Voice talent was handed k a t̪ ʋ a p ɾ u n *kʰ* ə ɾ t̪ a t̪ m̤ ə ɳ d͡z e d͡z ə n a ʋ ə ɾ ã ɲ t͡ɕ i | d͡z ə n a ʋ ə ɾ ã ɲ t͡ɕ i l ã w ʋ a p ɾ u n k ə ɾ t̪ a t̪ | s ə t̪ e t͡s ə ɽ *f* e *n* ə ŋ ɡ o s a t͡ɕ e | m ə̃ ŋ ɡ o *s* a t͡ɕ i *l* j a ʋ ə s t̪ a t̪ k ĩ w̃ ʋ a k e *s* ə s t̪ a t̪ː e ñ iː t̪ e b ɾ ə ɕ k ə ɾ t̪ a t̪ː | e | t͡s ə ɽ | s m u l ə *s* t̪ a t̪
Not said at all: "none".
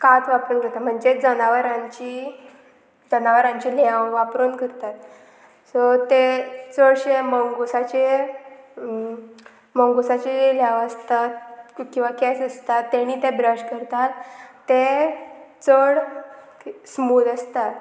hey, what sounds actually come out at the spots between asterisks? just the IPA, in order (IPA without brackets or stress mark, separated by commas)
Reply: k, ɕ, m, s, l, s, s